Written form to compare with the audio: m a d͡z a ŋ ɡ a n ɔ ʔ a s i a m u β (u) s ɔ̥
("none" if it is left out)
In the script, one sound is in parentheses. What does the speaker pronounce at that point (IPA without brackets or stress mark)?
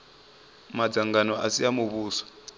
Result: uː